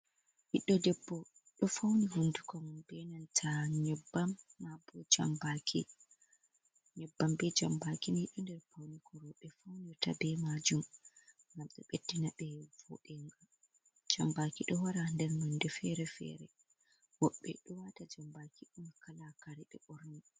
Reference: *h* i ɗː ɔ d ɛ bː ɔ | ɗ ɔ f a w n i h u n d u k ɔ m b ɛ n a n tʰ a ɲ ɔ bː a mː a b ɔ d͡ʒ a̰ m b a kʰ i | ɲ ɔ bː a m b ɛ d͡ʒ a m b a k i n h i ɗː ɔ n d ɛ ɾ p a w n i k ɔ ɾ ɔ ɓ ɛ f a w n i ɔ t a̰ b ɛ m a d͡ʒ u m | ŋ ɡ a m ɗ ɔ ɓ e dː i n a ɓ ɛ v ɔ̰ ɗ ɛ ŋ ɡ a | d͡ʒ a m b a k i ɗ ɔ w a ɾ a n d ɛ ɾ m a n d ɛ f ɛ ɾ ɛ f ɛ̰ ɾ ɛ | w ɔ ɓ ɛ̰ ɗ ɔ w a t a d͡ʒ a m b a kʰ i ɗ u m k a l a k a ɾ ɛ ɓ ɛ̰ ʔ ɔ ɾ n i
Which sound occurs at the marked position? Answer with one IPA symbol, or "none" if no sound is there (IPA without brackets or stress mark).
h